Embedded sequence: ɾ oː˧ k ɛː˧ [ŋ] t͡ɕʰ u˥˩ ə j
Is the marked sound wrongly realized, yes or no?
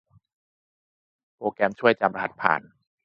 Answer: yes